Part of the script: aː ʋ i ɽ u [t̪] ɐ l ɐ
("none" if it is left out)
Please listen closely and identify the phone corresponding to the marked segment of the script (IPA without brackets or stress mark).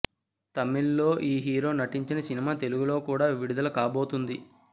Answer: d̪